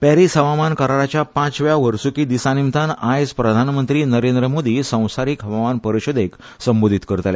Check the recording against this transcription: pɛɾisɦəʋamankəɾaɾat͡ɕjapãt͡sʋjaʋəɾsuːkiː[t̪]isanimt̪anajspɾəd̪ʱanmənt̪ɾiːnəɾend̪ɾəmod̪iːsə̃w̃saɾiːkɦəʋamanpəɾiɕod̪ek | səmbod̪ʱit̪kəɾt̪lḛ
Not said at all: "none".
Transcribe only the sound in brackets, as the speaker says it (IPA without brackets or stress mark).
d̪